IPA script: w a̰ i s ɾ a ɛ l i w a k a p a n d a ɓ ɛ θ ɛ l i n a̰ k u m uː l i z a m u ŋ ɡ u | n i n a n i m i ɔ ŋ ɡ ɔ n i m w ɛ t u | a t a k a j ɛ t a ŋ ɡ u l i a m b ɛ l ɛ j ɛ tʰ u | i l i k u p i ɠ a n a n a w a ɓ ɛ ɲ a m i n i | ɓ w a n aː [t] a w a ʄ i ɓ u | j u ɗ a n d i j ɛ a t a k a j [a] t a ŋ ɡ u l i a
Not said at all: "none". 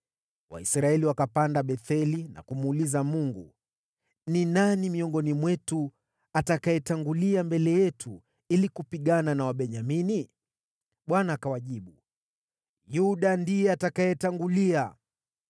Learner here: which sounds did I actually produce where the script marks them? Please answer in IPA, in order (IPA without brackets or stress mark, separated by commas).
k, ɛ